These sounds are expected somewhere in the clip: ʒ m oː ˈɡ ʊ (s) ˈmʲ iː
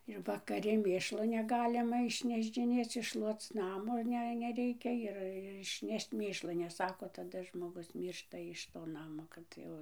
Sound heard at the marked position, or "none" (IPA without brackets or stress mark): s